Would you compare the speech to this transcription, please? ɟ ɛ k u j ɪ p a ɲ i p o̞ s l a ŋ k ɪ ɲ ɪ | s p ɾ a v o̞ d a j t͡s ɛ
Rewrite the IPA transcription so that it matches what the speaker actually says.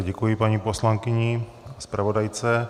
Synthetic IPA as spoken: ɟ ɛ k u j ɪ p a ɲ i p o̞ s l a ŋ k ɪ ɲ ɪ | s p ɾ a v o̞ d a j t͡s ɛ